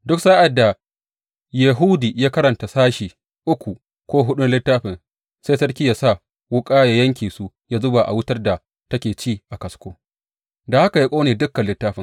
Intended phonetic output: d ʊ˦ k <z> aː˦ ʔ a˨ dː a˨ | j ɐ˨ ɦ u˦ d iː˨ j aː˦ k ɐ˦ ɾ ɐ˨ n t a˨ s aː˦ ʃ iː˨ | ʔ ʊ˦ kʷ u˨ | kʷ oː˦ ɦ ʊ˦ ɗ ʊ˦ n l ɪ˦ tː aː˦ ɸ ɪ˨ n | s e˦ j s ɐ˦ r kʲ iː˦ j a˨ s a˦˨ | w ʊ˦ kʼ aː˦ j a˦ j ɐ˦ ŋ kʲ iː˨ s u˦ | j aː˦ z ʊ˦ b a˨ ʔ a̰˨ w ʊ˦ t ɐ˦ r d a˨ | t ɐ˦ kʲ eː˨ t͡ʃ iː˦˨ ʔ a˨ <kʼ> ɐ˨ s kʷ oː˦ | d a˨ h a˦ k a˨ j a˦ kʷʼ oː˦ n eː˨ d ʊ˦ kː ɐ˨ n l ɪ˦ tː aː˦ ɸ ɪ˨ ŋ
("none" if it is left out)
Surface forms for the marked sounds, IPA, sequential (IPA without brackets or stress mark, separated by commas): s, k